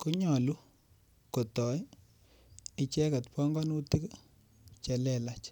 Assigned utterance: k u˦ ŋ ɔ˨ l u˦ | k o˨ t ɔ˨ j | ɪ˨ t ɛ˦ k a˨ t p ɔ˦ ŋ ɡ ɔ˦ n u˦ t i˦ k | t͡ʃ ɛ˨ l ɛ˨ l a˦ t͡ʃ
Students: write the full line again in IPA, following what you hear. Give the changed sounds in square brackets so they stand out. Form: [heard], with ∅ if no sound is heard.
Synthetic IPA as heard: k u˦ [ɲ] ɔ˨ l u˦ | k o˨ t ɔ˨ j | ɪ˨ [t͡ʃ] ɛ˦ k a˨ t p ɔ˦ ŋ ɡ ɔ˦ n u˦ t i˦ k | t͡ʃ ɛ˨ l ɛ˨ l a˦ t͡ʃ